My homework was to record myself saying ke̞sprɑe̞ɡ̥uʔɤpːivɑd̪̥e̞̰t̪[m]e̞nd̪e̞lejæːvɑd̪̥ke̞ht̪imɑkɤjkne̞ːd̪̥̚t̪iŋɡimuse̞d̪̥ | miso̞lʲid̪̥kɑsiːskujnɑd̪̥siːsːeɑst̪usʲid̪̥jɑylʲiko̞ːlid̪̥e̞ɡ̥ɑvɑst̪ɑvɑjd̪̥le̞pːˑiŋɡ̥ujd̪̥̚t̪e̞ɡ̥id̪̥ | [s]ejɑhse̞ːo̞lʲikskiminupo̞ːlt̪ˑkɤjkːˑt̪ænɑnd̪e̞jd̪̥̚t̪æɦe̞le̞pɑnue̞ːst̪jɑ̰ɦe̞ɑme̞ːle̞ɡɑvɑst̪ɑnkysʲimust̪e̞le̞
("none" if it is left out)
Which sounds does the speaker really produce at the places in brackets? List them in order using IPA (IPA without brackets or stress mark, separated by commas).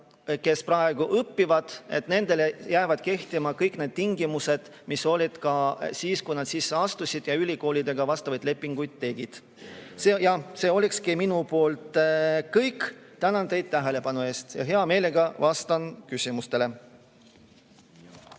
n, s